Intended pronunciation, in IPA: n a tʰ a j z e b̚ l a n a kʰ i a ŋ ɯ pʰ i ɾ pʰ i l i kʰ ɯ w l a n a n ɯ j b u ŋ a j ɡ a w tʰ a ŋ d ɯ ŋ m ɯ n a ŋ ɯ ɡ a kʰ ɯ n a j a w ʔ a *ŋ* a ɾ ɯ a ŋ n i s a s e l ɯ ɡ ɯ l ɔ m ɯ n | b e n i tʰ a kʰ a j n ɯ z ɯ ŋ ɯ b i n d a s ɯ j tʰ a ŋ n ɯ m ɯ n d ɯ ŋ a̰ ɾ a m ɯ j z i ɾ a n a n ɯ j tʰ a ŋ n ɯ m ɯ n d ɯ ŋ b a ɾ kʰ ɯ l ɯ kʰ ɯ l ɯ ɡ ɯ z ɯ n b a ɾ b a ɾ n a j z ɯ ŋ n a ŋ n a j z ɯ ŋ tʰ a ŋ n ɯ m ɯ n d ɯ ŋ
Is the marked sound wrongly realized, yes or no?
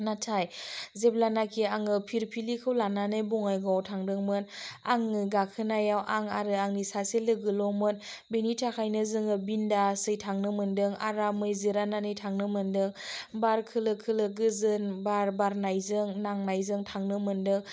no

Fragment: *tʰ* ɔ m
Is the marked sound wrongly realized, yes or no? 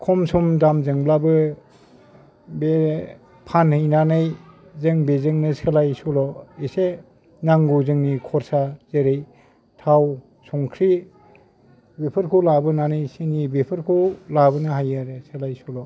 yes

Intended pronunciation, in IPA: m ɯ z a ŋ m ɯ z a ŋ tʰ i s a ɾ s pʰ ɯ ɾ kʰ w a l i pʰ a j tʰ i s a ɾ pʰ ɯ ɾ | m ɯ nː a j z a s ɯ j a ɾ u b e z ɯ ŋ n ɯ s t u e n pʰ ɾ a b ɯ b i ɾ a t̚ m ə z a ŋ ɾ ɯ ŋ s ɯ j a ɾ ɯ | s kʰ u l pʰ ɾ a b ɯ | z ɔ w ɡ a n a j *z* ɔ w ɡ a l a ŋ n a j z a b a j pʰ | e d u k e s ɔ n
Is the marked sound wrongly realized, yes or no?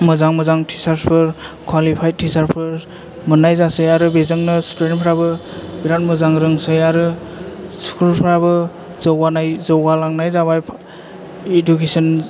no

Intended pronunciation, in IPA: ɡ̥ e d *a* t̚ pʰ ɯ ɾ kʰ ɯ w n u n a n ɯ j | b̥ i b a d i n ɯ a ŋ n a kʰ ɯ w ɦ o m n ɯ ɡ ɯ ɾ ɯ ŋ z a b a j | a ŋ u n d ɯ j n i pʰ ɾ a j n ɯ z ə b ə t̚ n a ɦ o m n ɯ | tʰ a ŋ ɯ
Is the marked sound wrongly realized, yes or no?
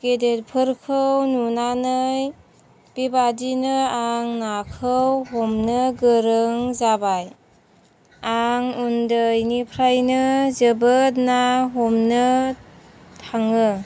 yes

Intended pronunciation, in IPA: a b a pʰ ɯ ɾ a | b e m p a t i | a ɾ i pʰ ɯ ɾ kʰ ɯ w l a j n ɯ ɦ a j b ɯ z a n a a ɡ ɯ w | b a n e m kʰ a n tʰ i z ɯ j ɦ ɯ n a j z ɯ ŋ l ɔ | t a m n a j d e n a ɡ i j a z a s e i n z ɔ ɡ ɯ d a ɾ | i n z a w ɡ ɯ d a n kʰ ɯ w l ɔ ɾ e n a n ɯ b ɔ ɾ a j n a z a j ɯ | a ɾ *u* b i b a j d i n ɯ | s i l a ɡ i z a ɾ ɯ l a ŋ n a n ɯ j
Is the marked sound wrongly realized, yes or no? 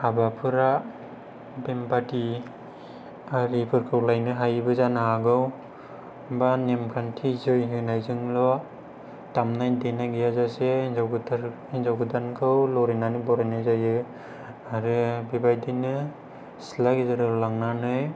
yes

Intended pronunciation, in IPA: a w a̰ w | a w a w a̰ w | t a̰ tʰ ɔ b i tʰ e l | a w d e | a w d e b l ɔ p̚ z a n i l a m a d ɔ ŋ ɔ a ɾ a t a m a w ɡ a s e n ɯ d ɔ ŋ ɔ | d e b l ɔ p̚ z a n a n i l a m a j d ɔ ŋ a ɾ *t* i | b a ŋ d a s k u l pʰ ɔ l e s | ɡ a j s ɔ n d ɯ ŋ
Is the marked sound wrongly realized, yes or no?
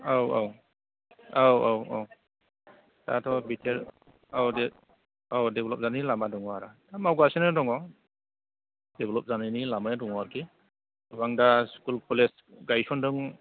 yes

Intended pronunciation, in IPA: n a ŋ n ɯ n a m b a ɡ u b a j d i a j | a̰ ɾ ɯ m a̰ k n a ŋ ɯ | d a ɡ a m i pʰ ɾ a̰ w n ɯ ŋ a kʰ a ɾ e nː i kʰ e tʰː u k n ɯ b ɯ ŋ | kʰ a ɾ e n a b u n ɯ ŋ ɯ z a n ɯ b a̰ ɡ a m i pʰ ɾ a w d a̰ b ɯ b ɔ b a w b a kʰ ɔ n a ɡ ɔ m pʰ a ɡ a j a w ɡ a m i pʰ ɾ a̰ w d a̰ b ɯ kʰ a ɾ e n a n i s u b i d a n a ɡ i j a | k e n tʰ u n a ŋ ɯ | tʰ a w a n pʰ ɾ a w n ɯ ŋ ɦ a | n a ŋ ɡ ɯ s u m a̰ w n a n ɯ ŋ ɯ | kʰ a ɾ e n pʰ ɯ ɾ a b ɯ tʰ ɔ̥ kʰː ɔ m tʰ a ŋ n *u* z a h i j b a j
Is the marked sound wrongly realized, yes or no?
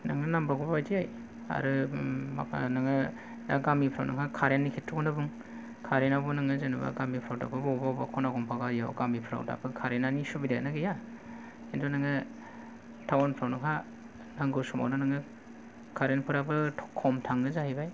yes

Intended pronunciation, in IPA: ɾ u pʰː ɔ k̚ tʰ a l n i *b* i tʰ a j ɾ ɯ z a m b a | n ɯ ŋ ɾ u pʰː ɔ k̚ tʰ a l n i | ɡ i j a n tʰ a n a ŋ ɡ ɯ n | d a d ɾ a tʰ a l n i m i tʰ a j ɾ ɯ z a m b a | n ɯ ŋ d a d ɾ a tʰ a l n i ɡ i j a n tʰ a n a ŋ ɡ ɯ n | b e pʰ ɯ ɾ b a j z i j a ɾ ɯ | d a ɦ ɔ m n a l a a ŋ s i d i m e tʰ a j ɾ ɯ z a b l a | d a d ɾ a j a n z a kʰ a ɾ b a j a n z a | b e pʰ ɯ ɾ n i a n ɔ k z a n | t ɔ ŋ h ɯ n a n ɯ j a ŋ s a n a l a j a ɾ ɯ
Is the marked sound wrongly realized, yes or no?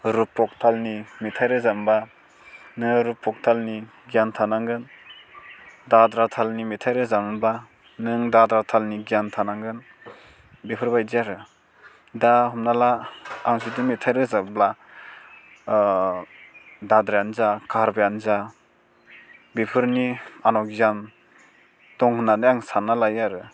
yes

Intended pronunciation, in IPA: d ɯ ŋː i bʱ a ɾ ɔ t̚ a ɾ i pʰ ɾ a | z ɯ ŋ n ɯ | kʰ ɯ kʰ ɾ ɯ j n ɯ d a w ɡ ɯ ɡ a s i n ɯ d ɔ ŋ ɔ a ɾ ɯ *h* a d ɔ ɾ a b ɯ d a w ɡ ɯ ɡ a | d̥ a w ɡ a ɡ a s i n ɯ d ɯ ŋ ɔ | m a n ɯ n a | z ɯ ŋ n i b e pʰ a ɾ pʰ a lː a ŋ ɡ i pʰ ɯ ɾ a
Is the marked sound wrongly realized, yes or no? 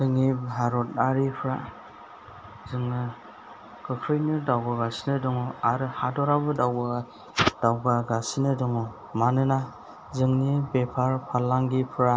no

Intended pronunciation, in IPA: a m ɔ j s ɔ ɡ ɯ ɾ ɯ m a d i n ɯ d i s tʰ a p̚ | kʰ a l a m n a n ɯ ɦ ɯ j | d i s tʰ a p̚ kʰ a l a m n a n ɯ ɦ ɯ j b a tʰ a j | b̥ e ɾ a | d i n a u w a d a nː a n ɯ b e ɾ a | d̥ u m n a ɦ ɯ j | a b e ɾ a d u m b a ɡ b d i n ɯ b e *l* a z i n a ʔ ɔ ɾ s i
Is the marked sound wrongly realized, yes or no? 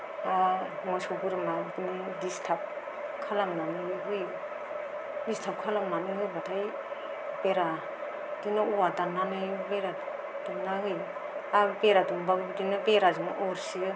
yes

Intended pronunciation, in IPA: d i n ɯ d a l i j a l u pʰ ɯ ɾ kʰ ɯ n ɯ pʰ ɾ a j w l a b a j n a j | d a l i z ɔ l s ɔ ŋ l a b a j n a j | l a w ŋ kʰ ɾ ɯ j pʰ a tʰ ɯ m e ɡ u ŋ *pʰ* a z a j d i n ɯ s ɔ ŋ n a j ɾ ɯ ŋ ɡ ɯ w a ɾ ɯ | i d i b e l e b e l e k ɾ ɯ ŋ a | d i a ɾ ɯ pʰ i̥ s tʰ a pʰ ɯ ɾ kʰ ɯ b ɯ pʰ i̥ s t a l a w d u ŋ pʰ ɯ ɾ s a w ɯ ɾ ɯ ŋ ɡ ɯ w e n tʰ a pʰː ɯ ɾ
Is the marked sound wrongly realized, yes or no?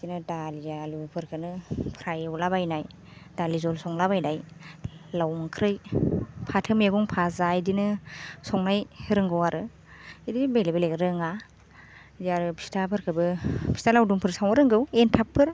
no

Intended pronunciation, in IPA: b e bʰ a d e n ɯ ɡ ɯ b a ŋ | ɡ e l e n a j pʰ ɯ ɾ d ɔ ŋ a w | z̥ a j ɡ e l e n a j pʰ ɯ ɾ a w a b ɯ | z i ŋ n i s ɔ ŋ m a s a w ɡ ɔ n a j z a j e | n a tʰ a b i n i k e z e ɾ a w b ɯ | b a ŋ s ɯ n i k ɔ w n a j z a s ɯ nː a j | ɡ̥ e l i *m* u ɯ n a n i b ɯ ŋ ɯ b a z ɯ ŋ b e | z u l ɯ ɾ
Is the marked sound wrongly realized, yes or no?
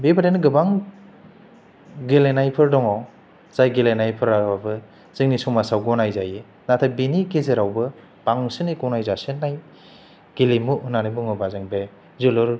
no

